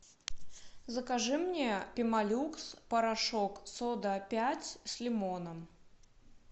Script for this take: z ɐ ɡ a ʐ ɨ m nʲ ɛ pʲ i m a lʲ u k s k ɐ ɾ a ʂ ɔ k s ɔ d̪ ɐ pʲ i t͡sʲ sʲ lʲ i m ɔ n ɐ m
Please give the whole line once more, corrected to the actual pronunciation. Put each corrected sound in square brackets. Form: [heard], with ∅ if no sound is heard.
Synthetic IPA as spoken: z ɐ [k] a ʐ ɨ m nʲ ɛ pʲ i m a lʲ u k s [p] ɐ ɾ a ʂ ɔ k s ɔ d̪ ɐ pʲ [a] t͡sʲ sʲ lʲ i m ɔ n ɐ m